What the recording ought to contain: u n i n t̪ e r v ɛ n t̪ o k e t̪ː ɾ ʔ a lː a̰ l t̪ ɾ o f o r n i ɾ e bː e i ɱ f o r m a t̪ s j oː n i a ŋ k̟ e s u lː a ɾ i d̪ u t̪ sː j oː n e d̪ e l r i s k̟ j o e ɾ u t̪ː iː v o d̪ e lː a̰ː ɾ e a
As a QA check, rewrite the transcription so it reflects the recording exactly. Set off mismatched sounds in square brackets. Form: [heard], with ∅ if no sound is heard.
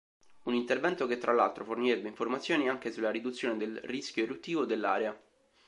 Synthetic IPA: u n i n t̪ e r v ɛ n t̪ o k e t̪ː ɾ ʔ a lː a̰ l t̪ ɾ o f o r n i ɾ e bː e i ɱ f o r m a t̪ s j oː n i a ŋ k̟ e s u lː a ɾ i d̪ u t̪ sː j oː n e d̪ e l r i s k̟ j o e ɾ u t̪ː iː v o d̪ e lː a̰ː ɾ e a